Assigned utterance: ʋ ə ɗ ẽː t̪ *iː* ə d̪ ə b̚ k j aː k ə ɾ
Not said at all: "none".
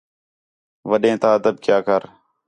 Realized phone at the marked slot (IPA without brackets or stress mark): aː